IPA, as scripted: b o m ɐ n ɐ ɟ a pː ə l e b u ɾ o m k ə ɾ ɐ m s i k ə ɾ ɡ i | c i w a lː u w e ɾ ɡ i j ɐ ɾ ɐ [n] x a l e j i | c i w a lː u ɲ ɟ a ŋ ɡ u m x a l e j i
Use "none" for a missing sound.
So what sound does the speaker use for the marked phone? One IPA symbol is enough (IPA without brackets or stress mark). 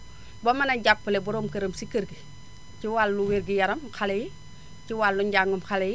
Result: m